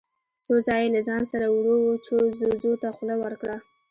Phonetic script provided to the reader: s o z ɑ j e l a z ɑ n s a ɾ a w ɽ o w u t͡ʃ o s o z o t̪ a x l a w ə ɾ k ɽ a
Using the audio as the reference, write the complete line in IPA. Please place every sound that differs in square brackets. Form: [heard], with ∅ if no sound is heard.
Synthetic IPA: s o z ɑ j e l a z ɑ n s a ɾ a w ɽ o w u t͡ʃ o [z] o z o t̪ a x l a w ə ɾ k ɽ a